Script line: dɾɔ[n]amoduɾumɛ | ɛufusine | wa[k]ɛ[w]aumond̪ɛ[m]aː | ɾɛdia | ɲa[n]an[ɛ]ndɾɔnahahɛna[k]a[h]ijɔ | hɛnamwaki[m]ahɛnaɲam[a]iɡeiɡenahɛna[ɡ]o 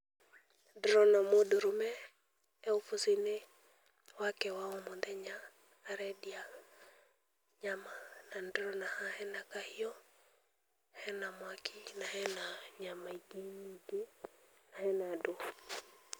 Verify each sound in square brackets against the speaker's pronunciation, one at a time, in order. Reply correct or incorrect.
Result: correct, correct, correct, incorrect, incorrect, incorrect, correct, correct, incorrect, correct, incorrect

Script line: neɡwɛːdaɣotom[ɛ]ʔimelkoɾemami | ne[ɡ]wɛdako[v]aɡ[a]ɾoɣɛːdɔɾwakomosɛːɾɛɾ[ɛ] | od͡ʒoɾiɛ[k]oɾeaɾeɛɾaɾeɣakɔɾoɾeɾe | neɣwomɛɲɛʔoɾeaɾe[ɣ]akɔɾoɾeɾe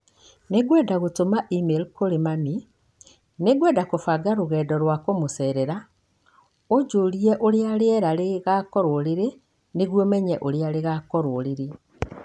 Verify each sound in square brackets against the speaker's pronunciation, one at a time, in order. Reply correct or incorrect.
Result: incorrect, correct, incorrect, correct, incorrect, incorrect, correct

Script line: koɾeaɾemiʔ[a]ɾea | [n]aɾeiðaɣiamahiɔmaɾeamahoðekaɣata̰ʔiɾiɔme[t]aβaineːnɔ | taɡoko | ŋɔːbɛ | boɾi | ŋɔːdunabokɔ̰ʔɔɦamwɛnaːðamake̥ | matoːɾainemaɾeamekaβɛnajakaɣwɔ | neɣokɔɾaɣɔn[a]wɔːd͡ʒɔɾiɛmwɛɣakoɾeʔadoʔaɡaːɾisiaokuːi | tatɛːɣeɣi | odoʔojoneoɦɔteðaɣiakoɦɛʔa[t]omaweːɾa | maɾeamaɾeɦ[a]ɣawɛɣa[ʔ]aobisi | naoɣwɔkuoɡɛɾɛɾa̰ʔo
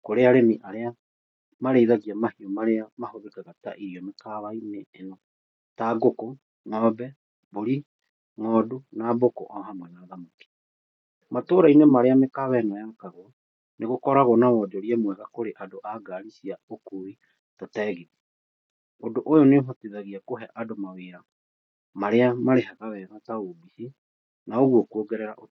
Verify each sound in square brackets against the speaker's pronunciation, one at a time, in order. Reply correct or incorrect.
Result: correct, incorrect, incorrect, correct, incorrect, correct, incorrect

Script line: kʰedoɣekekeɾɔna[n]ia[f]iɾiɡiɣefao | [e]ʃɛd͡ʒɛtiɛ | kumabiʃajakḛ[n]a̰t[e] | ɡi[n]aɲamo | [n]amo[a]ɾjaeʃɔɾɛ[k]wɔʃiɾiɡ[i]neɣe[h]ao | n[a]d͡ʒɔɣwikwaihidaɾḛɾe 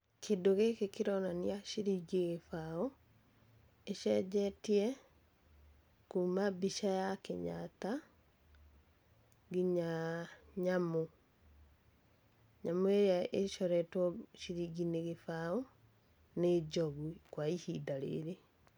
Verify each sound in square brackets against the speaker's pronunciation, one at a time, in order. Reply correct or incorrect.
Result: correct, incorrect, correct, incorrect, incorrect, incorrect, incorrect, incorrect, incorrect, correct, incorrect, incorrect

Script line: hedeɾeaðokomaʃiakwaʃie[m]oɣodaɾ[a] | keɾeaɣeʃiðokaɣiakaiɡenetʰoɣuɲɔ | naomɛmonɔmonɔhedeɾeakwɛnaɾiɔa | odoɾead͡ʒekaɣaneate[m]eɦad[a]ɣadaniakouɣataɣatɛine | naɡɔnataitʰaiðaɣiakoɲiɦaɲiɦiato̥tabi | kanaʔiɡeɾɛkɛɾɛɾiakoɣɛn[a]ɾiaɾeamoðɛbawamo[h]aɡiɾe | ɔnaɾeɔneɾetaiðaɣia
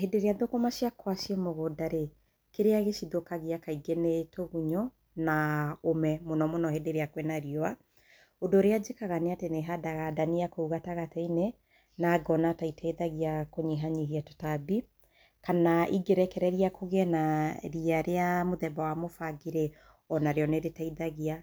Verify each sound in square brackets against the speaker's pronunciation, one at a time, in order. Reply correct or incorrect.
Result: correct, incorrect, incorrect, correct, correct, incorrect

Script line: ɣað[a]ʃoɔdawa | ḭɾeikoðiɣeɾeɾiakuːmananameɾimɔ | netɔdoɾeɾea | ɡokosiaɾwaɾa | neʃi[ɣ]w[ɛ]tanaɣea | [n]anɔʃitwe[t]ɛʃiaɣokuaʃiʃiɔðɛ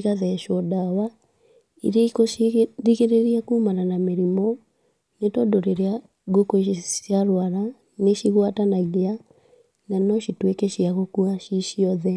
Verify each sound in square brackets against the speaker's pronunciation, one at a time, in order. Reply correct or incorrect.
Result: incorrect, correct, incorrect, correct, incorrect

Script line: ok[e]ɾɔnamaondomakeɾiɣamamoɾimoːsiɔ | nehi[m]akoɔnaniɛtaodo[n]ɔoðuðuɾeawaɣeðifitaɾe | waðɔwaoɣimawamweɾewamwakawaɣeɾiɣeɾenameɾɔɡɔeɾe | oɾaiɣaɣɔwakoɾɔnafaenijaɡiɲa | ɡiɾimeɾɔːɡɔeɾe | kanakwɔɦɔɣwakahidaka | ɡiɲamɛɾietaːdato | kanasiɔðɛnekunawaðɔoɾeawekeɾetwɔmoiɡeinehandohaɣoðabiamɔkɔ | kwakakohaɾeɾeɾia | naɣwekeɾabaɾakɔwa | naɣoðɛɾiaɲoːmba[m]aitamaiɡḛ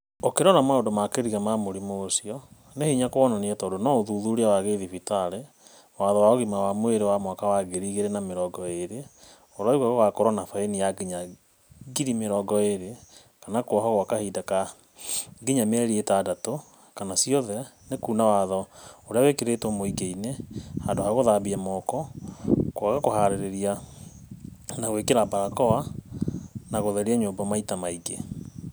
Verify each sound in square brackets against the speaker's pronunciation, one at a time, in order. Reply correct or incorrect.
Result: correct, incorrect, correct, correct

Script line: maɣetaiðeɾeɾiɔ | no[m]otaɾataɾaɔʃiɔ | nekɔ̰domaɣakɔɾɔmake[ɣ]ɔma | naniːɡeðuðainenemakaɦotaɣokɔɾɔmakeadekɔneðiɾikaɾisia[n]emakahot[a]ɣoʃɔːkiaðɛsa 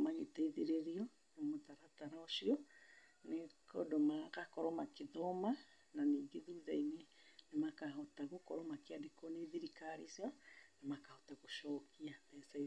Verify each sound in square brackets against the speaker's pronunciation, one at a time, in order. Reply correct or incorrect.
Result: correct, incorrect, correct, correct

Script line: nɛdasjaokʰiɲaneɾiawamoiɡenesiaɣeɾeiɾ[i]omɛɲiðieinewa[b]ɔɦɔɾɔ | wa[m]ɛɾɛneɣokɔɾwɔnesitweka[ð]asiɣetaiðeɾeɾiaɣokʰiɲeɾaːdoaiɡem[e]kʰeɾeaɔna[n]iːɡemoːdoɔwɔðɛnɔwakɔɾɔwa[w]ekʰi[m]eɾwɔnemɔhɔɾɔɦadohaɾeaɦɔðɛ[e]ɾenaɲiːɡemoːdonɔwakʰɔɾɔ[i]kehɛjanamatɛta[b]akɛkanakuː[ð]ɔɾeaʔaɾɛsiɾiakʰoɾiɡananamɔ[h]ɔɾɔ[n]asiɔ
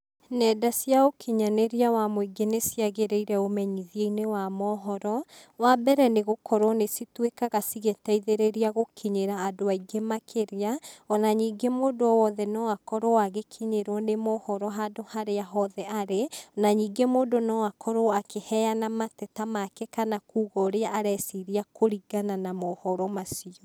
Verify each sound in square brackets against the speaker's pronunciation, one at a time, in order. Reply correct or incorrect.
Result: incorrect, incorrect, incorrect, incorrect, incorrect, incorrect, incorrect, incorrect, incorrect, incorrect, incorrect, incorrect, correct, incorrect

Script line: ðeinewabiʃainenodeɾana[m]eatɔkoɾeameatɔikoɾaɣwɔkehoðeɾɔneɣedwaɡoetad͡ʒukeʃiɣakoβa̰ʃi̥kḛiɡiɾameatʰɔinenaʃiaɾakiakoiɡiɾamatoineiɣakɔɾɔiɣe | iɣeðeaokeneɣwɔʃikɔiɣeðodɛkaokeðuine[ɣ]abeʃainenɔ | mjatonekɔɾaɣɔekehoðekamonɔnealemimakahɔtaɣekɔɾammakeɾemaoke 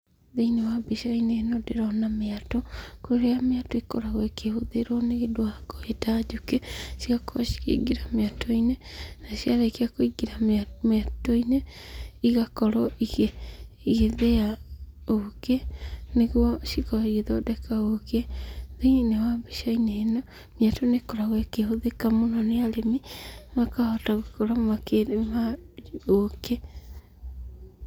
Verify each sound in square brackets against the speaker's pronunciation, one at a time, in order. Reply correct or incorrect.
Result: correct, incorrect

